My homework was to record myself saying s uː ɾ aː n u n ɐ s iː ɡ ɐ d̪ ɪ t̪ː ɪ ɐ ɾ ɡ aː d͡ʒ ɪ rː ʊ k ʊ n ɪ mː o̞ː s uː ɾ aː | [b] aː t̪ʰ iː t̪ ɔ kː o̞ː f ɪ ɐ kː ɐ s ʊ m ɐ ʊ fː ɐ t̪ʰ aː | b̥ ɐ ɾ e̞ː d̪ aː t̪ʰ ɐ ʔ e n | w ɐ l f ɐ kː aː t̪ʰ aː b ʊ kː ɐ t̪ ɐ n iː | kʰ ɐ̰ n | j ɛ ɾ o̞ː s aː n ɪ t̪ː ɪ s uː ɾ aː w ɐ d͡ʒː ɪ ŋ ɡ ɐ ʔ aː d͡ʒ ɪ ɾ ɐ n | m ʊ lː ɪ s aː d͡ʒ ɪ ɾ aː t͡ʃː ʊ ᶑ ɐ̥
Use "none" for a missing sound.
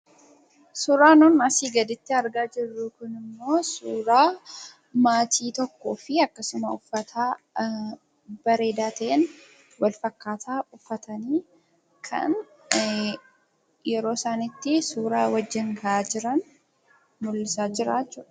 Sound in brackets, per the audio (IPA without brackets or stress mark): m